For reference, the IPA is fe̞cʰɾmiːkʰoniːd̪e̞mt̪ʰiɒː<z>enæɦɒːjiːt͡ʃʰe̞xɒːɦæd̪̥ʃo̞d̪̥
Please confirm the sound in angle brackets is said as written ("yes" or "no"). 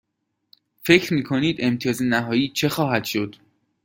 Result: yes